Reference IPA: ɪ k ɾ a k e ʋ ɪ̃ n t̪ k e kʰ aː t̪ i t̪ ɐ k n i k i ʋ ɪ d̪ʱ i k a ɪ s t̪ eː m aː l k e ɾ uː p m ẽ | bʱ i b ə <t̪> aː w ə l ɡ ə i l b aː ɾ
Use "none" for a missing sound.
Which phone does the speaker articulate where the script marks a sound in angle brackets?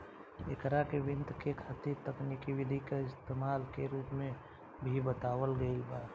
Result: t̪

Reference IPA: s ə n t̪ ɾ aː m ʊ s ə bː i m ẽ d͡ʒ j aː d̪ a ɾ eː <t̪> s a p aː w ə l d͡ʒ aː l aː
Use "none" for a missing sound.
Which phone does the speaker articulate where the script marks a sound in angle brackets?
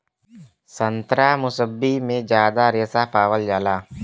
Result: none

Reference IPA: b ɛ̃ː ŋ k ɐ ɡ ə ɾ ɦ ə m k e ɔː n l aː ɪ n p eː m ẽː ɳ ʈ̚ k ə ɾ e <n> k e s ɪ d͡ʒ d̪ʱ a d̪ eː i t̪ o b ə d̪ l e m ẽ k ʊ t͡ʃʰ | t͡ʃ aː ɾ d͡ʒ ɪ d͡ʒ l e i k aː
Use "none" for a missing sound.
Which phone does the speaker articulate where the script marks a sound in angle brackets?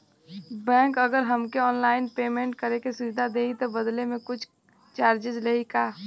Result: none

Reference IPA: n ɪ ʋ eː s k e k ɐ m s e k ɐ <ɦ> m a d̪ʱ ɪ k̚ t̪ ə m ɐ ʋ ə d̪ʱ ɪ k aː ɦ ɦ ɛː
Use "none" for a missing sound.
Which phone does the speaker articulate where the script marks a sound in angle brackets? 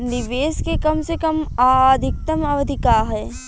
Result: none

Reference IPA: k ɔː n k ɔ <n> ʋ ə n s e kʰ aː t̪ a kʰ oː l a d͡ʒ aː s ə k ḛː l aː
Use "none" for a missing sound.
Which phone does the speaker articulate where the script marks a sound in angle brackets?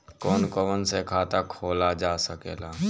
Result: none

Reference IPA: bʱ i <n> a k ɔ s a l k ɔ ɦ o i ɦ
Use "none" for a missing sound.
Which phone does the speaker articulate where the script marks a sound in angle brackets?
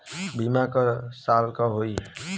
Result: m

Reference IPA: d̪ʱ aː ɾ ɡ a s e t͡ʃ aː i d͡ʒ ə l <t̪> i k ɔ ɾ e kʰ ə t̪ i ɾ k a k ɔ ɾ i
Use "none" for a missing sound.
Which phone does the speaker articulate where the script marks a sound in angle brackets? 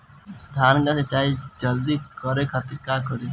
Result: d̪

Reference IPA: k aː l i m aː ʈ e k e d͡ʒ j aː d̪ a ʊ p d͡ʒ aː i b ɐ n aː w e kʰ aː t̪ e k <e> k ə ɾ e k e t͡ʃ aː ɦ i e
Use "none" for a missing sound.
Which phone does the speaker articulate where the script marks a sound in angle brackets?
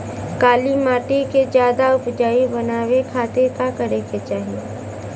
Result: a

